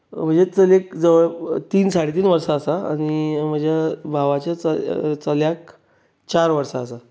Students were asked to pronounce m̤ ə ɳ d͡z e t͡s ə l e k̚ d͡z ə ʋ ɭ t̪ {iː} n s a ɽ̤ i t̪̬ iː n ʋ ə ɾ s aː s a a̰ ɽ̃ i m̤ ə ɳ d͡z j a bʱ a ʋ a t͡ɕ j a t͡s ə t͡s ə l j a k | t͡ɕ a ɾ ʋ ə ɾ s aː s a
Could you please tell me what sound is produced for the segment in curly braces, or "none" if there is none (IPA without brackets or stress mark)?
iː